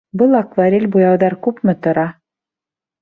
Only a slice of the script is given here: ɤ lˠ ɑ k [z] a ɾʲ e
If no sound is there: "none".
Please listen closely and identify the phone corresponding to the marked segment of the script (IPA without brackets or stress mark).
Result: v